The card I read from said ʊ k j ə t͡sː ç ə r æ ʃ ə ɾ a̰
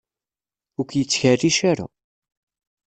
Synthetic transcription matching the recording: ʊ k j ə t͡sː ç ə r i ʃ a ɾ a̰